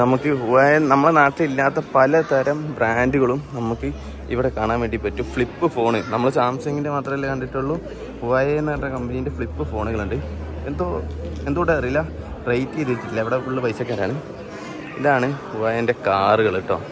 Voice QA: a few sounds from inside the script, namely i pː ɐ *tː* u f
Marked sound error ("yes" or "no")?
no